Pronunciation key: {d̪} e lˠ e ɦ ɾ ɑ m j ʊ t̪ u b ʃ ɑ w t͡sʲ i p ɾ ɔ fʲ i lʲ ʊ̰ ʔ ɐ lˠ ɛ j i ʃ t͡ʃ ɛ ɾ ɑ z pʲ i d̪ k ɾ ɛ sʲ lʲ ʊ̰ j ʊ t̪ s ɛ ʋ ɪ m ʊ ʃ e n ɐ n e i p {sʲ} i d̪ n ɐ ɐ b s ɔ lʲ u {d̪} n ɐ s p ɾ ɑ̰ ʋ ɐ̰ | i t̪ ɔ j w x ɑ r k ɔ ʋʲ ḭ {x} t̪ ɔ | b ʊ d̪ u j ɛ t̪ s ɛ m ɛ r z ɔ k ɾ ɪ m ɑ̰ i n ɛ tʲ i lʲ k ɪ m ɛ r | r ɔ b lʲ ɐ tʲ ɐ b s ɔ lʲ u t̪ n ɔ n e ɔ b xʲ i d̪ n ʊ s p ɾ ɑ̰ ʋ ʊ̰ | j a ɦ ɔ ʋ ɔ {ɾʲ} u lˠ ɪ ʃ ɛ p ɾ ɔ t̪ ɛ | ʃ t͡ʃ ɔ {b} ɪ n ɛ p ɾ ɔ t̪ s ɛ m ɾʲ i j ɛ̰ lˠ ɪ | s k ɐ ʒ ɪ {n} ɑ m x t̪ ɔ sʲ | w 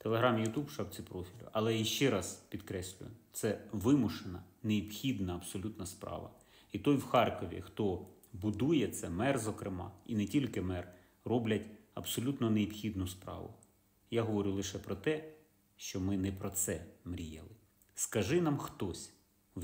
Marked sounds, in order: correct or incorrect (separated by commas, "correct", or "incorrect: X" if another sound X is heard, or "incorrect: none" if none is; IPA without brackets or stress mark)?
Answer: incorrect: t̪, incorrect: xʲ, incorrect: t̪, correct, correct, incorrect: m, correct